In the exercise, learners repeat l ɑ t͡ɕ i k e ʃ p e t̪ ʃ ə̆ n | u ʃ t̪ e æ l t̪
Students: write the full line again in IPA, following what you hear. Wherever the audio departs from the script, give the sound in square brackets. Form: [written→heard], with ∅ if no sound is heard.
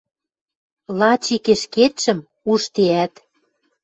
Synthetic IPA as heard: l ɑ t͡ɕ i k e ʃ [p→k] e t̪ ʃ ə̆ [n→m] | u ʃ t̪ e æ [l→∅] t̪